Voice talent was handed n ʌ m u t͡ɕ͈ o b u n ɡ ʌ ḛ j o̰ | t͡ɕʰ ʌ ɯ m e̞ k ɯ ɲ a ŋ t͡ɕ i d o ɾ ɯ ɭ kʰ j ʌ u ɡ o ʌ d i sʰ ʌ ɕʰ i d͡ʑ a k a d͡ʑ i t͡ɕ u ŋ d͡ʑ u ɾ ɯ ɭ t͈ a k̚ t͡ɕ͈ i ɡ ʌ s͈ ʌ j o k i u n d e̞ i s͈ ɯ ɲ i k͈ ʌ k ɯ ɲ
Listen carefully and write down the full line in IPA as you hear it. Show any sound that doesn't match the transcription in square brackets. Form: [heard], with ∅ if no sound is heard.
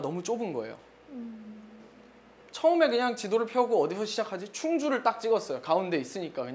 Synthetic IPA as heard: n ʌ m u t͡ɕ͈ o b [ɯ] n ɡ ʌ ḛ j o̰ | t͡ɕʰ ʌ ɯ m e̞ k ɯ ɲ a ŋ t͡ɕ i d o ɾ ɯ ɭ [pʰ] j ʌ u ɡ o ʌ d i sʰ ʌ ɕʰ i d͡ʑ a [kʰ] a d͡ʑ i [t͡ɕʰ] u ŋ d͡ʑ u ɾ ɯ ɭ t͈ a k̚ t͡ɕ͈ i ɡ ʌ s͈ ʌ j o k [a] u n d e̞ i s͈ ɯ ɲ i k͈ [a] k ɯ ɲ

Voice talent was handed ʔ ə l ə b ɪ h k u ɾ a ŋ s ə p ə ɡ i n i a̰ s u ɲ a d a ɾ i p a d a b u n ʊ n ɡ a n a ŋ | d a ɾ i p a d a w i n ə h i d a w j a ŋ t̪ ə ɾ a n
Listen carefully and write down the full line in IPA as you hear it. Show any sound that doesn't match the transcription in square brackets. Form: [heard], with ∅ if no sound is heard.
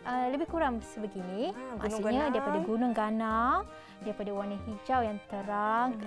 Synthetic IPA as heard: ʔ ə l ə b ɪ h k u ɾ a ŋ s ə [b] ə ɡ i n i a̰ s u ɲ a d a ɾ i p a d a [ɡ] u n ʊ [ŋ] ɡ a n a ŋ | d a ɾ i p a d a w [a] n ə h i [d͡ʒ] a w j a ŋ t̪ ə ɾ a [ŋ]

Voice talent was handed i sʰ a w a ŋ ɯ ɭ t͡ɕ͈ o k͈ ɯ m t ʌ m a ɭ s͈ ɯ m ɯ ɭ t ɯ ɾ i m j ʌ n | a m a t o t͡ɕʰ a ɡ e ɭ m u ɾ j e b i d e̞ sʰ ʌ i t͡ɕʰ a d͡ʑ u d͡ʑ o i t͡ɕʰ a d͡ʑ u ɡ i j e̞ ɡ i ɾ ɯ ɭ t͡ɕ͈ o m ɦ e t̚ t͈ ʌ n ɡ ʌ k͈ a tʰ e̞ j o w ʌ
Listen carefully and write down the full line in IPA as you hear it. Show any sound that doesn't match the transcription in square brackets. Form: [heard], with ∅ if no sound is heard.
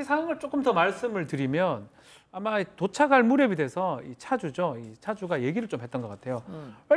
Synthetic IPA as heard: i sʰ a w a ŋ ɯ ɭ t͡ɕ͈ o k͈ ɯ m t ʌ m a ɭ s͈ ɯ m ɯ ɭ t ɯ ɾ i m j ʌ n | a m a t o t͡ɕʰ a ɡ [a] ɭ m u ɾ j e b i d e̞ sʰ ʌ i t͡ɕʰ a d͡ʑ u d͡ʑ o i t͡ɕʰ a d͡ʑ u ɡ [a] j e̞ ɡ i ɾ ɯ ɭ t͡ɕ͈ o m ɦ e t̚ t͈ ʌ n ɡ ʌ k͈ a tʰ e̞ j o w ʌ

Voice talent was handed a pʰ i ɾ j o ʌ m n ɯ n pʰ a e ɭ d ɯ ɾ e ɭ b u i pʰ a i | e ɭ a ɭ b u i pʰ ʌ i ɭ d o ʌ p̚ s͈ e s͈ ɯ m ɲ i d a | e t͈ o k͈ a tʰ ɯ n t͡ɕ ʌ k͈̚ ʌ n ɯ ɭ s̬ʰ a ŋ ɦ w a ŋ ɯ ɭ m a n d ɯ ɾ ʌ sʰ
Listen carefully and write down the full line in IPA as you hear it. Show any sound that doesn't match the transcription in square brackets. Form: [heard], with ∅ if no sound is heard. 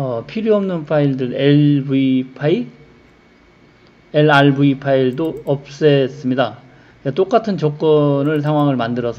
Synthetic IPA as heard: [ʌ] pʰ i ɾ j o ʌ m n ɯ n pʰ a [i] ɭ d ɯ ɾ e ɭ b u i pʰ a i | e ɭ a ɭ b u i pʰ [a] i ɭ d o ʌ p̚ s͈ e s͈ ɯ m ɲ i d a | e t͈ o k͈ a tʰ ɯ n t͡ɕ ʌ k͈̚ ʌ n ɯ ɭ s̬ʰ a ŋ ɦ w a ŋ ɯ ɭ m a n d ɯ ɾ ʌ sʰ

